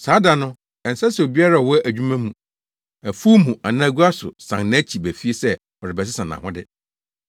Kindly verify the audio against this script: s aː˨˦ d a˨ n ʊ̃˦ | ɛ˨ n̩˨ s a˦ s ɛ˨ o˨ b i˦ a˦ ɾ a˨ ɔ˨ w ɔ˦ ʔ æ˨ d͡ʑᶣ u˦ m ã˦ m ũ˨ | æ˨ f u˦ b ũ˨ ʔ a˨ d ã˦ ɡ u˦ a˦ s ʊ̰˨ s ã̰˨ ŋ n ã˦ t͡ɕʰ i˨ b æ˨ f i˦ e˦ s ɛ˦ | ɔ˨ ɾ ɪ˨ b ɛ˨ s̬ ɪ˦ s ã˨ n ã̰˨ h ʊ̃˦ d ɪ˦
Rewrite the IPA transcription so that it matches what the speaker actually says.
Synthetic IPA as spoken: s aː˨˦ d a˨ n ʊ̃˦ | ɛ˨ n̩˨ s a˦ s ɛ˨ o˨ b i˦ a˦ ɾ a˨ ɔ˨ w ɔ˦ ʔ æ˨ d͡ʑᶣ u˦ m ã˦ m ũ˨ | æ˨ f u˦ m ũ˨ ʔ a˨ n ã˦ ɡ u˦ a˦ s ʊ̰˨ s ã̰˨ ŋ n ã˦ t͡ɕʰ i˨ b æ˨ f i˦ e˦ s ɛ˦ | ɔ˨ ɾ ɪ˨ b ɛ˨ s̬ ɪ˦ s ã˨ n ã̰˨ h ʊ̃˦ d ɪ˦